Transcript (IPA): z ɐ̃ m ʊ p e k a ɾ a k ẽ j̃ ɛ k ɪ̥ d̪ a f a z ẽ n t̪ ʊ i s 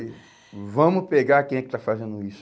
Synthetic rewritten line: v ɐ̃ m ʊ p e ɡ a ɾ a k ẽ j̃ ɛ k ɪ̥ t̪ a f a z ẽ n d̪ ʊ i s